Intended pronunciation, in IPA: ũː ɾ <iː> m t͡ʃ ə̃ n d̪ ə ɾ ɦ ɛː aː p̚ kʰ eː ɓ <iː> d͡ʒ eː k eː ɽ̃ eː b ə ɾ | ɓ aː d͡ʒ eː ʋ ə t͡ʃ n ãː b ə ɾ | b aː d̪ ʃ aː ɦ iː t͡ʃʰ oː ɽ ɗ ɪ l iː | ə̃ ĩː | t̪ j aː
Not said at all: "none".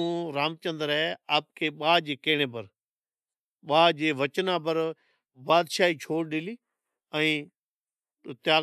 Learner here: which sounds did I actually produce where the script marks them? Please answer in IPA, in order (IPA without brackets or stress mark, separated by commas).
aː, aː